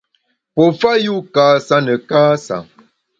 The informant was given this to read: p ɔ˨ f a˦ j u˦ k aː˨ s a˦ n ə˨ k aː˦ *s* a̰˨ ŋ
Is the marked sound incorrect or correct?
correct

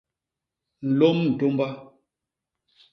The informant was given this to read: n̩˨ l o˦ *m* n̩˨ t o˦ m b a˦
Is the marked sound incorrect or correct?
correct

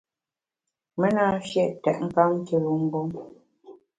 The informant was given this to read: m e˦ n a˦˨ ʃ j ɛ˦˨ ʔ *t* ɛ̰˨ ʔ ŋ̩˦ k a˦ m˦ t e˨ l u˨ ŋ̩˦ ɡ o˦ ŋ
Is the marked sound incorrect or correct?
correct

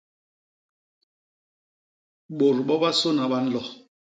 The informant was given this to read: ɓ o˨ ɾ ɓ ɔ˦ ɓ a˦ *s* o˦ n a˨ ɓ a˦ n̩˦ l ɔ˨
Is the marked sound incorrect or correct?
correct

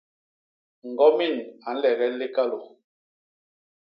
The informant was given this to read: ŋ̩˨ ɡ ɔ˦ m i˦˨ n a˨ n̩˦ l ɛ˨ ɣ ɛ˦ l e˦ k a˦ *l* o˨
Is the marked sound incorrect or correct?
correct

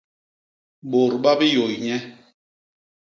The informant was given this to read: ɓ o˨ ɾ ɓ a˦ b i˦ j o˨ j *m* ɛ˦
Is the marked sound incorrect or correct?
incorrect: ɲ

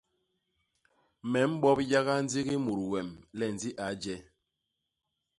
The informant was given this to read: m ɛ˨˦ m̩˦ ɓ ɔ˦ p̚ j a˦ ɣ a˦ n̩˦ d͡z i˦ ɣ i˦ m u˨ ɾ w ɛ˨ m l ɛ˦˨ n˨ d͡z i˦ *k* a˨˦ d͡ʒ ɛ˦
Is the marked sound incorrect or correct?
incorrect: ʔ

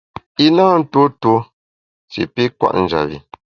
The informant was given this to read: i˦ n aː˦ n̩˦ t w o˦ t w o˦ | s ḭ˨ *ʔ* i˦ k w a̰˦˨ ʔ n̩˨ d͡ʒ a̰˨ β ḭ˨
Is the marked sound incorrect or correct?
incorrect: p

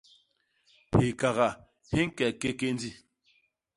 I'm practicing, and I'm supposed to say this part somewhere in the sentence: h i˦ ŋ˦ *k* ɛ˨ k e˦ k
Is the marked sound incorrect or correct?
correct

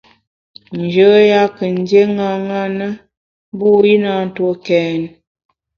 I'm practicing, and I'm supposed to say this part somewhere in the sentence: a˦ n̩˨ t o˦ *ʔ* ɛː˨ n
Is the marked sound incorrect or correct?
incorrect: k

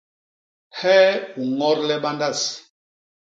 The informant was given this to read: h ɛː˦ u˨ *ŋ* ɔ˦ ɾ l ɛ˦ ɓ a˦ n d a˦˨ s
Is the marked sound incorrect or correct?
correct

